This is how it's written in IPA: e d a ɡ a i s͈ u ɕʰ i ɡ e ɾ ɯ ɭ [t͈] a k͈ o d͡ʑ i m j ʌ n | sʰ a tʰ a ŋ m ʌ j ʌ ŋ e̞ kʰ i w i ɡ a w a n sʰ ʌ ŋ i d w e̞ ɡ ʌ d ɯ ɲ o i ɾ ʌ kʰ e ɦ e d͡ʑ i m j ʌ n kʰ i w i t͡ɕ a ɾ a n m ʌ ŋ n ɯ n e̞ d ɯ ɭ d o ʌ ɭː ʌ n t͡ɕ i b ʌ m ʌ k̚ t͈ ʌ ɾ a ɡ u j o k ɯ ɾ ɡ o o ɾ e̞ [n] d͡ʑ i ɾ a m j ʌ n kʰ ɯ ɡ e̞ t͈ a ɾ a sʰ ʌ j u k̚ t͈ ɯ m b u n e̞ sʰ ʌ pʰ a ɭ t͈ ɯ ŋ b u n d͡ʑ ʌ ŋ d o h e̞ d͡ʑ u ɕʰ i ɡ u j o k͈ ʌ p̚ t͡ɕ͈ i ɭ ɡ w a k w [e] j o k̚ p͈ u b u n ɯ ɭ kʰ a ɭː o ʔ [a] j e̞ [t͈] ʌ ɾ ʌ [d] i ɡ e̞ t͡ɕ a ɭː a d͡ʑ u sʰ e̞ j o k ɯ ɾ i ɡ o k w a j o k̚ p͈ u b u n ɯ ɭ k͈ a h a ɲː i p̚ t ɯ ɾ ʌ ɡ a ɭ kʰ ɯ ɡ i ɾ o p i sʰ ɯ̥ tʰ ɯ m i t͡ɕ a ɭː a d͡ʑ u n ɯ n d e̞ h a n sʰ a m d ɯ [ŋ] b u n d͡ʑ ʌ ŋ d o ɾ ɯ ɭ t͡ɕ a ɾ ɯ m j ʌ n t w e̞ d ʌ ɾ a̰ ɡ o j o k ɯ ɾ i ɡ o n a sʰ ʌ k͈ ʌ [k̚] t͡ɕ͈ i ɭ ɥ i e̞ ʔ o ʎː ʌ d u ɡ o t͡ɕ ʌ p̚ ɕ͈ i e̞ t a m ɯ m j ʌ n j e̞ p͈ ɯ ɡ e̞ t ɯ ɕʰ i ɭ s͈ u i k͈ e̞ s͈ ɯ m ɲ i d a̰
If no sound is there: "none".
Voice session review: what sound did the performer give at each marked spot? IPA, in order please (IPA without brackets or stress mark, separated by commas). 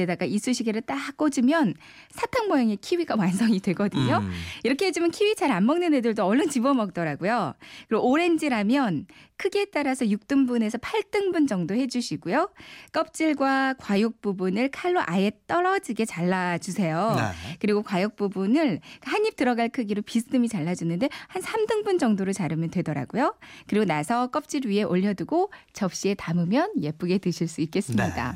t͈, n, a, a, t͈, d͡ʑ, ŋ, p̚